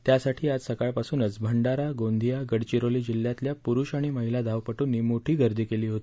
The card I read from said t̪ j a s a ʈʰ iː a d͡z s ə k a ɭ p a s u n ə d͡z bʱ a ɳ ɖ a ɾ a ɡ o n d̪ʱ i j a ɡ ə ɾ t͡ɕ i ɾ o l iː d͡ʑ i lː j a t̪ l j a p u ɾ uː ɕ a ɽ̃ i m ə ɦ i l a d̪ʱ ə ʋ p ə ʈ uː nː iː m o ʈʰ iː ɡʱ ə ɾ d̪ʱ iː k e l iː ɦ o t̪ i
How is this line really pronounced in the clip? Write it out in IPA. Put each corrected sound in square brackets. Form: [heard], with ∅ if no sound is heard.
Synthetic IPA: t̪ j a s a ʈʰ iː a d͡z s ə k a ɭ p a s [uː] n ə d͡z bʱ [ə] ɳ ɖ a ɾ a ɡ o n d̪ʱ i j a ɡ ə [ɽ] t͡ɕ i ɾ o l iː d͡ʑ i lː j a t̪ l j a p u ɾ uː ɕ a ɽ̃ i m ə ɦ i l a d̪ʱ [a] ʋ p ə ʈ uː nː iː m o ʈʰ iː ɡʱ ə ɾ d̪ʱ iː k e l iː ɦ o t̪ i